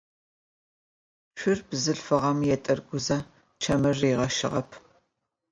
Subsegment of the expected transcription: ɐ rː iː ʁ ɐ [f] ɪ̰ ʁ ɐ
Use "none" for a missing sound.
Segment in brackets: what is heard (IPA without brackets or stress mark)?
ʃ